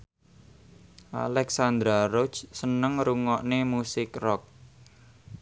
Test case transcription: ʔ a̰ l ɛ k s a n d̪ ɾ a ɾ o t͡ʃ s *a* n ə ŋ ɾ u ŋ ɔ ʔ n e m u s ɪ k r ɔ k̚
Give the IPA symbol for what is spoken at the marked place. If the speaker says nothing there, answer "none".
ə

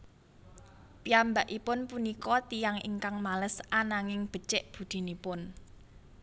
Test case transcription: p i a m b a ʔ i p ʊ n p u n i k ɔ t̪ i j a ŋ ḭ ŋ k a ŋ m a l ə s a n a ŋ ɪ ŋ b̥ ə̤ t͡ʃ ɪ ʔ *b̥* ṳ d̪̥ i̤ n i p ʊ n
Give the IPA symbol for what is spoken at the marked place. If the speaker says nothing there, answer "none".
b̥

